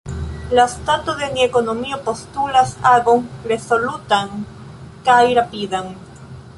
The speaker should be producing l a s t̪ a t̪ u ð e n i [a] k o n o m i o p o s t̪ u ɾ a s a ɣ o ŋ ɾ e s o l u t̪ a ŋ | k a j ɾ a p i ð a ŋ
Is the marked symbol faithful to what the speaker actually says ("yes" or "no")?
no